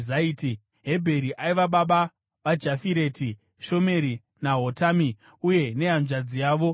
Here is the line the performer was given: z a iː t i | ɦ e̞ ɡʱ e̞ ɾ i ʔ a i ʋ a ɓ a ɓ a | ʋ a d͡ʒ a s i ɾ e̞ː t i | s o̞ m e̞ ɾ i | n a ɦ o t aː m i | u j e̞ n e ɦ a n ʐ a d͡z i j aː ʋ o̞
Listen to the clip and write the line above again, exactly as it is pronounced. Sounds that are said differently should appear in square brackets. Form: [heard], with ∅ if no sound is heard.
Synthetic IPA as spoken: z a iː t i | ɦ e̞ [bʱ] e̞ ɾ i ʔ a i ʋ a ɓ a ɓ a | ʋ a d͡ʒ a [f] i ɾ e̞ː t i | [ʃ] o̞ m e̞ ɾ i | n a ɦ o t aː m i | u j e̞ n e ɦ a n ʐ a d͡z i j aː ʋ o̞